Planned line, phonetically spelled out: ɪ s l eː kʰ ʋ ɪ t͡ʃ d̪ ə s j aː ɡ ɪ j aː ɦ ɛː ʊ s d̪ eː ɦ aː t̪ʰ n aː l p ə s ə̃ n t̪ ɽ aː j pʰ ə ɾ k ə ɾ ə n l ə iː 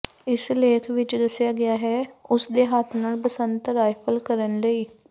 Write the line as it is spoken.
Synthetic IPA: ɪ s l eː kʰ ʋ ɪ t͡ʃ d̪ ə s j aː ɡ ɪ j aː ɦ ɛː ʊ s d̪ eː ɦ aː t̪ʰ n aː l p ə s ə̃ n t̪ ɾ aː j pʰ ə l k ə ɾ ə n l ə iː